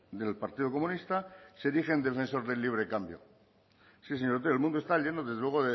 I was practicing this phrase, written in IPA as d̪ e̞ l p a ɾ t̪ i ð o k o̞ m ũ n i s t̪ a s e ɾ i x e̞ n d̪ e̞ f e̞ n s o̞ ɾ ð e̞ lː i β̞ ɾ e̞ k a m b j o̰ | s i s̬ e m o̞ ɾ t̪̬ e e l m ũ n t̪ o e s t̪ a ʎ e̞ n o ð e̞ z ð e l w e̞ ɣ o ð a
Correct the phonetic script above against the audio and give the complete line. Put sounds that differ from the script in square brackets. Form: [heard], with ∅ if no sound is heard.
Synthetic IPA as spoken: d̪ e̞ l p a ɾ t̪ i ð o k o̞ m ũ n i s t̪ a s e ɾ i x e̞ n d̪ e̞ f e̞ n s o̞ ɾ ð e̞ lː i β̞ ɾ e̞ k a m b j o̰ | s i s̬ e [ɲ] o̞ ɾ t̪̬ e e l m ũ n [d̪] o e s t̪ a ʎ e̞ n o ð e̞ z ð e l w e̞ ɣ o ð [e]